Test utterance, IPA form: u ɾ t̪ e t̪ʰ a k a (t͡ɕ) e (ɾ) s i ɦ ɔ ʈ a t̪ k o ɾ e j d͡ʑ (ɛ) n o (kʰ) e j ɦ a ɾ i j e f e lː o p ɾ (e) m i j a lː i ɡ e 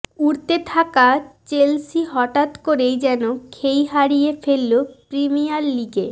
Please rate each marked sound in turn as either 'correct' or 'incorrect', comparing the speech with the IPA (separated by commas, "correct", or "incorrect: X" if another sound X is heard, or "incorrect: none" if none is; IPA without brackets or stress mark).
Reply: correct, incorrect: l, correct, correct, incorrect: i